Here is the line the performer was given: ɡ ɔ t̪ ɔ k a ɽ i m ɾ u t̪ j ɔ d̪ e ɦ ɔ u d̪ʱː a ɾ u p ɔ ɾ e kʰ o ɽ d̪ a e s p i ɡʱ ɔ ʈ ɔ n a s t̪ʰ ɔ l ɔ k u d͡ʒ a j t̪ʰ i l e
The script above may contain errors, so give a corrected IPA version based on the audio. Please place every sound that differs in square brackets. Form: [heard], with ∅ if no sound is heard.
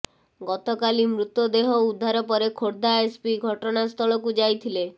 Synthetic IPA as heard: ɡ ɔ t̪ ɔ k a [l] i m ɾ u t̪ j ɔ d̪ e ɦ ɔ u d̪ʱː a ɾ [ɔ] p ɔ ɾ e kʰ o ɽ d̪ a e s p i ɡʱ ɔ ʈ ɔ n a s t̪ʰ ɔ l ɔ k u d͡ʒ a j t̪ʰ i l e